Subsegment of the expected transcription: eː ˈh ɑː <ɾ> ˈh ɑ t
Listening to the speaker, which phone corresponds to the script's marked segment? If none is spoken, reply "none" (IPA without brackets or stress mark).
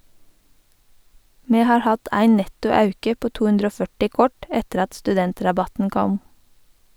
ɹ